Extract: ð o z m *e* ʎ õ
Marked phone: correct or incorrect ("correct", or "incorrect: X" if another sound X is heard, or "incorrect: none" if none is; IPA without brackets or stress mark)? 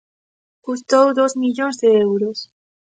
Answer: incorrect: i